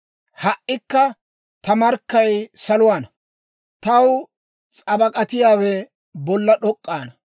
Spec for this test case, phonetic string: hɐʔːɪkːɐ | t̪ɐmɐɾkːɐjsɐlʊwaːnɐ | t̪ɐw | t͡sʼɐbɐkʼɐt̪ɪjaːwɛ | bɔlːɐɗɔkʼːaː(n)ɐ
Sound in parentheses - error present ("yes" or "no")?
no